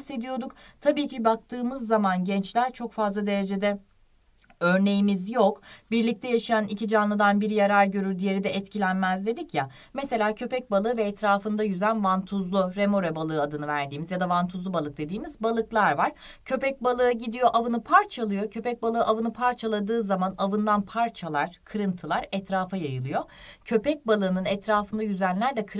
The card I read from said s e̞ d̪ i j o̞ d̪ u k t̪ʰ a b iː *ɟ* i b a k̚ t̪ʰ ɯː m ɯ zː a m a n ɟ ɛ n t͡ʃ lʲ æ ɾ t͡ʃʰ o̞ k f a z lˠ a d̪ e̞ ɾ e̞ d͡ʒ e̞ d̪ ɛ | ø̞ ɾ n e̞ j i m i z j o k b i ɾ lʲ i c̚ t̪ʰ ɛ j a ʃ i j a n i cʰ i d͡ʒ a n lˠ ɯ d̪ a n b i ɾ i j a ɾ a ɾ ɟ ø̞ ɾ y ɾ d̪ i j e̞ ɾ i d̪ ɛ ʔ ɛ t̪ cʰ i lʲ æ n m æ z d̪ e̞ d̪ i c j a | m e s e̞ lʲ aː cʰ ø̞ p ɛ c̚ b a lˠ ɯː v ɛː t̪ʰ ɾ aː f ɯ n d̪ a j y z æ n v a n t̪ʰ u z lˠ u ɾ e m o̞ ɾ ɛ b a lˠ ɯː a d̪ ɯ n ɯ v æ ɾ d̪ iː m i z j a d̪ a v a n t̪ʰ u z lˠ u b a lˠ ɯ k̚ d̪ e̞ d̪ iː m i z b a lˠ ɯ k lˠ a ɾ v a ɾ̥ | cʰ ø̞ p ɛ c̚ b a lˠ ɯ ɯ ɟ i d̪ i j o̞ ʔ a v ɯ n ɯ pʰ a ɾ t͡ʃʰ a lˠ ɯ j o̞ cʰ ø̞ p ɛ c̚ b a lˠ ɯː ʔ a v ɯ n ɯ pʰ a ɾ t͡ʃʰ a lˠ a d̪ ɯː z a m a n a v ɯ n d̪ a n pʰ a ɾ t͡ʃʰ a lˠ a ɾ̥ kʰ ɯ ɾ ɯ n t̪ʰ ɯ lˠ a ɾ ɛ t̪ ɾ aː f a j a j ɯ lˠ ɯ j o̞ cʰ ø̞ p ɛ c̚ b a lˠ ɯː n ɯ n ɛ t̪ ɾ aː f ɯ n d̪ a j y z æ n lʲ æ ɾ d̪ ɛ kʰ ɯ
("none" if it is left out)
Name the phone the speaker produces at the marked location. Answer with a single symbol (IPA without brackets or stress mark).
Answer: c